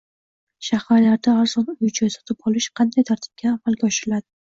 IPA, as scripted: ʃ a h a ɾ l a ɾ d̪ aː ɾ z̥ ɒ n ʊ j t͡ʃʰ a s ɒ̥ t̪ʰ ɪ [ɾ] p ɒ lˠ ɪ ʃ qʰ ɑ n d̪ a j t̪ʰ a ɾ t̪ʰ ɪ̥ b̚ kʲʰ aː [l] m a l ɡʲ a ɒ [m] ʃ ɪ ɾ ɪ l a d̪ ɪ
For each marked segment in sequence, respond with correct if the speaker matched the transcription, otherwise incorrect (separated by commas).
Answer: incorrect, incorrect, incorrect